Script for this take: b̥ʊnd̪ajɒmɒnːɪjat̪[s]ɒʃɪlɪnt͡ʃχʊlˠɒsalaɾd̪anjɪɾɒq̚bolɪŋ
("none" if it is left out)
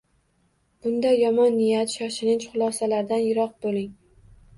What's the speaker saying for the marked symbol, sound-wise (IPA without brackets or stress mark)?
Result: ʃ